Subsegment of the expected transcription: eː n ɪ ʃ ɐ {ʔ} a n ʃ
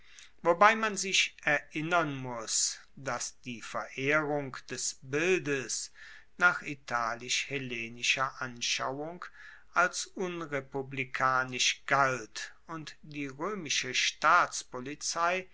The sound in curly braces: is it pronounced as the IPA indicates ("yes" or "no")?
yes